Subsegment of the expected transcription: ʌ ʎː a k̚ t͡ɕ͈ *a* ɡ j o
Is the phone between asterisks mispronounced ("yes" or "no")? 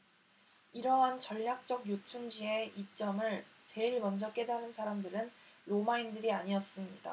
yes